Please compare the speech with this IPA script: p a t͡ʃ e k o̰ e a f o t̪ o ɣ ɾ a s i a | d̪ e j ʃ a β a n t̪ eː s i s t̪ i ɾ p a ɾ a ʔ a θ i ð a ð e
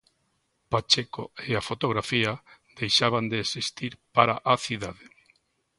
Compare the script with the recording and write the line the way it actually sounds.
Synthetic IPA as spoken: p a t͡ʃ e k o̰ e a f o t̪ o ɣ ɾ a f i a | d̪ e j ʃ a β a n d̪ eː s i s t̪ i ɾ p a ɾ a ʔ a θ i ð a ð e